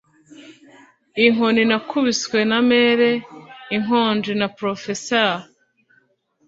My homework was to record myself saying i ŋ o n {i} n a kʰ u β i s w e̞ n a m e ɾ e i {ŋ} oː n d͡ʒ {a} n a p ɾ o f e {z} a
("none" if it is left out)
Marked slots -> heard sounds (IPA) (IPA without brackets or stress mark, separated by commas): i, ŋ, i, s